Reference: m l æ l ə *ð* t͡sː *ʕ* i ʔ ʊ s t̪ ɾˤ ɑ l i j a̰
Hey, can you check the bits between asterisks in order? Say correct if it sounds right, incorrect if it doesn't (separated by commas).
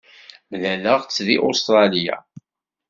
incorrect, incorrect